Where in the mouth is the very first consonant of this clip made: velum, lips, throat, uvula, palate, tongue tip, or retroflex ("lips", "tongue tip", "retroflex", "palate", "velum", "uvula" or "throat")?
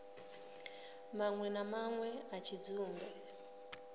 lips